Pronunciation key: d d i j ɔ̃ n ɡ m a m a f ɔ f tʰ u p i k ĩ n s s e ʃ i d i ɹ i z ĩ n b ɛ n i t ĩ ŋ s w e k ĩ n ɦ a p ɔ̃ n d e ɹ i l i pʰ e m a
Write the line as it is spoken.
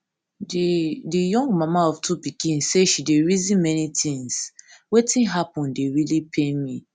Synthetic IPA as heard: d d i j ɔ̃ ŋ ɡ m a m a ɔ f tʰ u p i k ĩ n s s e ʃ i d e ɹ i z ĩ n m ɛ n i t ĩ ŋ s w e t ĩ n ɦ a p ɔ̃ n d e ɹ i l i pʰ e m i